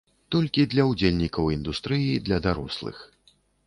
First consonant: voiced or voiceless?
voiceless